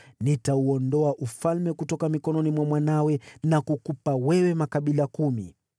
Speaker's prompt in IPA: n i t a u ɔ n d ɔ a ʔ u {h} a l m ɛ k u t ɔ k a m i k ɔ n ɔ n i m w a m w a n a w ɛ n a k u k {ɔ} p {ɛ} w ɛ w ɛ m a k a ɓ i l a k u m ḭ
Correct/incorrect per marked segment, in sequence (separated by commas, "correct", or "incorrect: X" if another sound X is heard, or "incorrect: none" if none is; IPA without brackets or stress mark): incorrect: f, incorrect: u, incorrect: a